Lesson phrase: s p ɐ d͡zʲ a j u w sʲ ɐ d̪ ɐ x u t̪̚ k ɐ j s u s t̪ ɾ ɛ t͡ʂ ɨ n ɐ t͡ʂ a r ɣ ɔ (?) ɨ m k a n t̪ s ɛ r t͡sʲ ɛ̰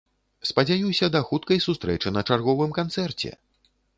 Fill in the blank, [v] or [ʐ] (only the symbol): v